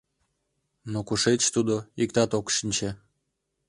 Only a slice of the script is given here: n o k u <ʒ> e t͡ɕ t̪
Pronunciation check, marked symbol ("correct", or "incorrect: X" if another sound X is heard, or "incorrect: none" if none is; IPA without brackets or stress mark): incorrect: ʃ